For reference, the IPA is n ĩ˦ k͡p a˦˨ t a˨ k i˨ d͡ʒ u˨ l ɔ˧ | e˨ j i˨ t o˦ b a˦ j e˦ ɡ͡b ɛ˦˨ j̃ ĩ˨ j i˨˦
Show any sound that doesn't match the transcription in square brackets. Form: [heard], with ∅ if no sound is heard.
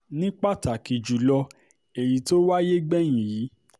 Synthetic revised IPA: n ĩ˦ k͡p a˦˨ t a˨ k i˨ d͡ʒ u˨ l ɔ˧ | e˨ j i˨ t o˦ [w] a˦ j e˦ ɡ͡b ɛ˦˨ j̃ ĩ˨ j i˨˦